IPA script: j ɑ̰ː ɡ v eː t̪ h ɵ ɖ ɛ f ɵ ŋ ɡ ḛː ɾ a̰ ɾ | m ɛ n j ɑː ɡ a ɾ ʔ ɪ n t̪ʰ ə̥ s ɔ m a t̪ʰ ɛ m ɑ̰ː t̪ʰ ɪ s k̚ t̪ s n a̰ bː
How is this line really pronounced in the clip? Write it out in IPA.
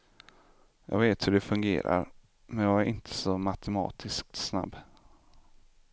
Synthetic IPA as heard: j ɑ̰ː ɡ v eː t̪ h ɵ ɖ ɛ f ɵ ŋ ɡ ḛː ɾ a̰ ɾ | m ɛ n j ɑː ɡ æ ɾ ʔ ɪ n t̪ʰ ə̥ s ɔ m a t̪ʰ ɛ m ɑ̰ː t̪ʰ ɪ s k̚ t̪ s n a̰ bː